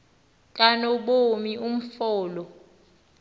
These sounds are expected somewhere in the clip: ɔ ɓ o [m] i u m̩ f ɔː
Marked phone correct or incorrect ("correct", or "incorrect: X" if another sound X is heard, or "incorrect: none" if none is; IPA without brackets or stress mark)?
correct